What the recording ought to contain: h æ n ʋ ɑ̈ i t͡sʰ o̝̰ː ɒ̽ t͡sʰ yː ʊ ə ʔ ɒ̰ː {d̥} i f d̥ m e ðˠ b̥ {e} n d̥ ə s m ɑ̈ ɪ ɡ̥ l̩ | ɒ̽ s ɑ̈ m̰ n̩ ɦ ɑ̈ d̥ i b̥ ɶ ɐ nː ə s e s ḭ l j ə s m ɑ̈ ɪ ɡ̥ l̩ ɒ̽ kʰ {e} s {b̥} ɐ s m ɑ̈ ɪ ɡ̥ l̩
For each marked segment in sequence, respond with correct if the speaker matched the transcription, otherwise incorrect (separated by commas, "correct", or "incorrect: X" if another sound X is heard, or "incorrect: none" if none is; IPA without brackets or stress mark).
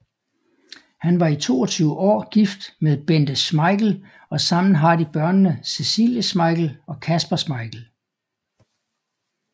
incorrect: ɡ̥, correct, incorrect: æ, correct